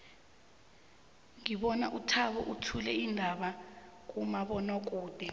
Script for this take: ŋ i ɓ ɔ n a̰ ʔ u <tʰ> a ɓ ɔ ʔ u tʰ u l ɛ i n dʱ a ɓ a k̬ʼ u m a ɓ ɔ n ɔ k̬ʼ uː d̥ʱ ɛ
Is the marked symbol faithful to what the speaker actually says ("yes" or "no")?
yes